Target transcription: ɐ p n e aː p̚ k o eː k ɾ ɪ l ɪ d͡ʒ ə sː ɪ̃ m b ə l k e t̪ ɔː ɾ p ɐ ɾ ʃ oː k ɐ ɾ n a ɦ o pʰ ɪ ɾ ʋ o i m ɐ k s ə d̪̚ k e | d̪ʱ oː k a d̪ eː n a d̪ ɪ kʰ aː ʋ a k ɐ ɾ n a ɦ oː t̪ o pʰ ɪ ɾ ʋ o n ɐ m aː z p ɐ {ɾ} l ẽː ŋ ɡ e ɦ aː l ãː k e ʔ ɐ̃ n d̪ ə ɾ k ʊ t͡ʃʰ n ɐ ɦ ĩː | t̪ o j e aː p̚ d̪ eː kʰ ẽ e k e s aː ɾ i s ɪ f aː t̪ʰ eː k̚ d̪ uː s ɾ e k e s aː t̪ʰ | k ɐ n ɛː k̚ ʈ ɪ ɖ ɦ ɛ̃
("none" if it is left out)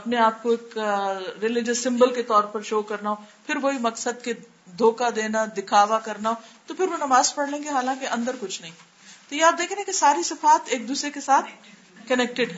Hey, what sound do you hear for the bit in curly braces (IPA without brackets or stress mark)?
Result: ɽ